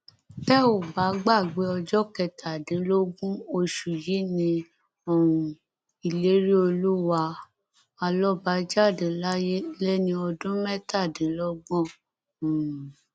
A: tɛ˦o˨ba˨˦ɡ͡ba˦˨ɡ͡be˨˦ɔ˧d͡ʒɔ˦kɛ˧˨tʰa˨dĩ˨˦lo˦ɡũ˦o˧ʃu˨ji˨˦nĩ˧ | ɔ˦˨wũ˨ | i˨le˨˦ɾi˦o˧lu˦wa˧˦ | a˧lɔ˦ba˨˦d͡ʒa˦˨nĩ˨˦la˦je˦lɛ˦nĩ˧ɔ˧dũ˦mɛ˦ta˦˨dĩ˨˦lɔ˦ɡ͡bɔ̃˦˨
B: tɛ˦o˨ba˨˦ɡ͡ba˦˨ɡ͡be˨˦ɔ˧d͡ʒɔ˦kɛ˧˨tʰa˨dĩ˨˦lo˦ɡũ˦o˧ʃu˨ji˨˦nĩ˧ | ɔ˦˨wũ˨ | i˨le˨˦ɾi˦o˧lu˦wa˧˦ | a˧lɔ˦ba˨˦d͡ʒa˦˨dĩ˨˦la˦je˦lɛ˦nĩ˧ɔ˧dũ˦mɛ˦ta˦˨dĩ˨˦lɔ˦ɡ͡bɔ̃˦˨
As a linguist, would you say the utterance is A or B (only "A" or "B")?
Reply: B